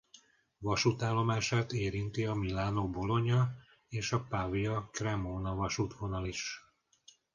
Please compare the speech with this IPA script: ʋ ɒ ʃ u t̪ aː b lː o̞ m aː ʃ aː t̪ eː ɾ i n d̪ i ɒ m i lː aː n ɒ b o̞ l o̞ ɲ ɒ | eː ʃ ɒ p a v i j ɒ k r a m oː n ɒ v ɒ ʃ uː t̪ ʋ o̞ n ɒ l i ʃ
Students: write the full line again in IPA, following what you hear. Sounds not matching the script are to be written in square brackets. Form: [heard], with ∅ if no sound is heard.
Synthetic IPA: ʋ ɒ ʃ u t̪ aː [∅] lː o̞ m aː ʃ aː t̪ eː ɾ i n [t̪] i ɒ m i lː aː n [o] b o̞ l o̞ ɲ ɒ | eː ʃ ɒ p a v i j ɒ k r [ɛ] m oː n ɒ v ɒ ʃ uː t̪ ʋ o̞ n ɒ l i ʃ